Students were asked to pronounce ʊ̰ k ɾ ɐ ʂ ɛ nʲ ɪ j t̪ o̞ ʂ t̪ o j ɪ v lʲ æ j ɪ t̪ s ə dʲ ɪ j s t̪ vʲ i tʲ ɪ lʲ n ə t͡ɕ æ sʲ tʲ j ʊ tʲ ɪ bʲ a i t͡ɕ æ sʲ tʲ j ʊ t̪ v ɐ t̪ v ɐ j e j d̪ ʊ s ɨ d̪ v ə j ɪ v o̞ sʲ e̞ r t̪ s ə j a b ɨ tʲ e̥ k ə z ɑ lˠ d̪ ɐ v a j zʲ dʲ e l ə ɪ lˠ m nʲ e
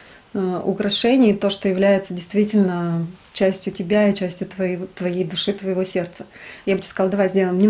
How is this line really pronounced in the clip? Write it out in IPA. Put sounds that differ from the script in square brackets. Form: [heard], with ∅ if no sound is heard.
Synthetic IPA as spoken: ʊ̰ k ɾ ɐ ʂ ɛ nʲ ɪ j t̪ o̞ ʂ t̪ o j ɪ v lʲ æ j ɪ t̪ s ə dʲ ɪ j s t̪ vʲ i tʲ ɪ lʲ n ə t͡ɕ æ sʲ tʲ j ʊ tʲ ɪ bʲ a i t͡ɕ æ sʲ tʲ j ʊ t̪ v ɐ t̪ v ɐ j e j d̪ ʊ [ʂ] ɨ [t̪] v ə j ɪ v o̞ sʲ e̞ r t̪ s ə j a b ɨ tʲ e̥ k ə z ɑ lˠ d̪ ɐ v a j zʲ dʲ e l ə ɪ [∅] m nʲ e